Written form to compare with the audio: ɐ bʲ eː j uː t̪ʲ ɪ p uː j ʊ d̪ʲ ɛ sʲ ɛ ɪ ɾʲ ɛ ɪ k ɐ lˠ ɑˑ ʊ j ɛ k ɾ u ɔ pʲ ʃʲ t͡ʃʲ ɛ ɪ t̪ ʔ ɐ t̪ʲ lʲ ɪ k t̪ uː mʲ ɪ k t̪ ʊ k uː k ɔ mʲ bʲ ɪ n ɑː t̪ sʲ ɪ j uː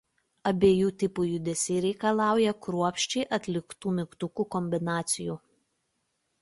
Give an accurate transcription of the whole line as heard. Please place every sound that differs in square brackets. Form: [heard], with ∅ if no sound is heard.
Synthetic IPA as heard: ɐ bʲ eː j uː t̪ʲ ɪ p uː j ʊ d̪ʲ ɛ sʲ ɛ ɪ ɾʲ ɛ ɪ k ɐ lˠ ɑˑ ʊ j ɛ k ɾ u ɔ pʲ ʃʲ t͡ʃʲ ɛ ɪ [∅] ʔ ɐ t̪ʲ lʲ ɪ k t̪ uː mʲ ɪ k t̪ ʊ k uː k ɔ mʲ bʲ ɪ n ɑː t̪ sʲ ɪ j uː